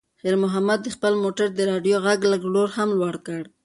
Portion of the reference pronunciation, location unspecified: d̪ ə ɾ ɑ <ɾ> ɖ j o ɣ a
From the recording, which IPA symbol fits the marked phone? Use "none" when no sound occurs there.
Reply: none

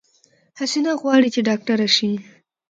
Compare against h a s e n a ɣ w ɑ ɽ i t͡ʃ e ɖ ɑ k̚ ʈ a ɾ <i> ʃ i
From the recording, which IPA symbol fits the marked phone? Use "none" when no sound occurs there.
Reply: a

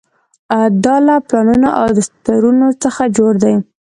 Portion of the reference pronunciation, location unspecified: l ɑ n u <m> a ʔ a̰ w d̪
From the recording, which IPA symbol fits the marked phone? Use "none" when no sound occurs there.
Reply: n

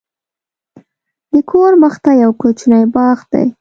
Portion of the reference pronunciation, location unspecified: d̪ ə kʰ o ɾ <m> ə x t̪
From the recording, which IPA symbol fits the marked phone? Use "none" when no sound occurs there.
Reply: m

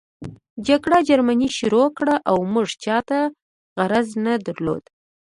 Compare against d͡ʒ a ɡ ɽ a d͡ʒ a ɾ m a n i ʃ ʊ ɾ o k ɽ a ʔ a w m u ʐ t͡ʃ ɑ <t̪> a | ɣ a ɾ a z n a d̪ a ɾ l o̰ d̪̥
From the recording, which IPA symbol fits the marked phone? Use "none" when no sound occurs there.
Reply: t̪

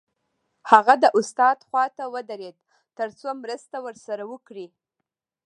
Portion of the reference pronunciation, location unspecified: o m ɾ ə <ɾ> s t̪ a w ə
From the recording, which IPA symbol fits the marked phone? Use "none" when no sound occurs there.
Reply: none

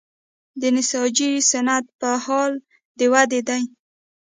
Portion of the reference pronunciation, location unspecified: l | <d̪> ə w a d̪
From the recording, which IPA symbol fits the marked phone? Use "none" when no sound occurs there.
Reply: d̪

